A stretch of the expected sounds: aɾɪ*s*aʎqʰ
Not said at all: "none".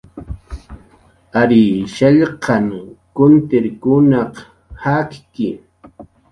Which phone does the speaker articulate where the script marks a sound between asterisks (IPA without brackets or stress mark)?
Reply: ʃ